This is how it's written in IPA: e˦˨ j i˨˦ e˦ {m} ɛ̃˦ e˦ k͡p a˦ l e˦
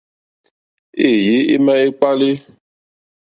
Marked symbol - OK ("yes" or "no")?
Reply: yes